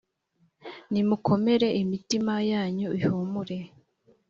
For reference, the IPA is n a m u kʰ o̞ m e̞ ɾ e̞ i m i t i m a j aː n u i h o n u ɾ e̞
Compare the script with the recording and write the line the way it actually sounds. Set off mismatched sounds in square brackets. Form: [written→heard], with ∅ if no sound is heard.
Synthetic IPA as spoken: n [a→i] m u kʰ o̞ m e̞ ɾ e̞ i m i t i m a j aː [n→ɲ] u i h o [n→m] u ɾ e̞